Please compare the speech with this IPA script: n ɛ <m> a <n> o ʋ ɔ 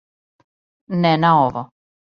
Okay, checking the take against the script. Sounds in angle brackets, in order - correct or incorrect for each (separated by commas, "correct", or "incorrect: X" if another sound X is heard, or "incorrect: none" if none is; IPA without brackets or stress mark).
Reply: incorrect: n, incorrect: none